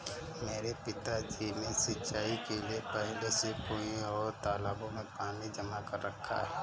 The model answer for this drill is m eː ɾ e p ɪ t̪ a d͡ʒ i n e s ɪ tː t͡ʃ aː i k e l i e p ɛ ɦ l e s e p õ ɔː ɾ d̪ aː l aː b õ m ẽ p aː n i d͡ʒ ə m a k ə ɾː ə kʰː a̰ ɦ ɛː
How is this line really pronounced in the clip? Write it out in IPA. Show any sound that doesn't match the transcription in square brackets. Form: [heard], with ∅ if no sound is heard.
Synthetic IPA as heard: m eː ɾ e p ɪ t̪ a d͡ʒ i n e s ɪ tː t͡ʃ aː i k e l i e p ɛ ɦ l e s e p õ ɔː ɾ [t̪] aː l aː b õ m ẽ p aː n i d͡ʒ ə m a k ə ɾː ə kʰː a̰ ɦ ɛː